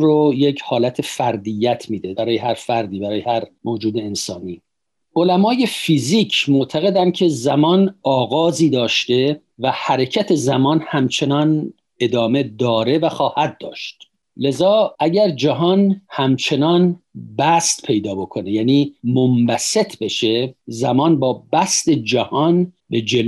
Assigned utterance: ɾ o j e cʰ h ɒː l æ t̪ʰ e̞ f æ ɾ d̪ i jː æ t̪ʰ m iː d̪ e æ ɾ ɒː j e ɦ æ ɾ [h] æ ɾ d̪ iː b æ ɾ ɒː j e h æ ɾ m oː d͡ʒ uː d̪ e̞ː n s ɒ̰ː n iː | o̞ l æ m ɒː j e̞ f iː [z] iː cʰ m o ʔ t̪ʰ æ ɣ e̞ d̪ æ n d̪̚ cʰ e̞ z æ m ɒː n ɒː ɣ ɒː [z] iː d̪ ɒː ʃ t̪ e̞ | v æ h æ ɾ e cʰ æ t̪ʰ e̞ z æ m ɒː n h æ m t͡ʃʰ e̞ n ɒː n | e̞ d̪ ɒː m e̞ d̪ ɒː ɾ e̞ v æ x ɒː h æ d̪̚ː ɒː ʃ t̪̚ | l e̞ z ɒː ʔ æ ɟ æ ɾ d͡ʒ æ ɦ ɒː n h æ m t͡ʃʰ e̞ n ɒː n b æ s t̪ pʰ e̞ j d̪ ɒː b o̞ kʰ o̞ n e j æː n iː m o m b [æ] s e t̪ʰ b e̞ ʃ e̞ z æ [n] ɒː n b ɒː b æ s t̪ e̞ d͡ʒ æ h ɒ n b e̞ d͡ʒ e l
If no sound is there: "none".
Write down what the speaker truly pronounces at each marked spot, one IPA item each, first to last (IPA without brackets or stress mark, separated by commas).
f, z, z, æ, m